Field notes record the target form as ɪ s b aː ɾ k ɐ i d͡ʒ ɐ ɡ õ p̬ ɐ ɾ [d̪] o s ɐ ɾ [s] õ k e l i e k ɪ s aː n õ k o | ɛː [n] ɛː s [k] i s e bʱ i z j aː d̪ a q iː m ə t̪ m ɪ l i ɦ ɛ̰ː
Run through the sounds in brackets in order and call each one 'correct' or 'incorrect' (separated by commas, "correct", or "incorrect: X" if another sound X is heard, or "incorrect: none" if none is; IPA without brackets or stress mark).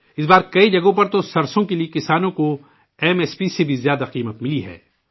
incorrect: t̪, correct, incorrect: m, incorrect: p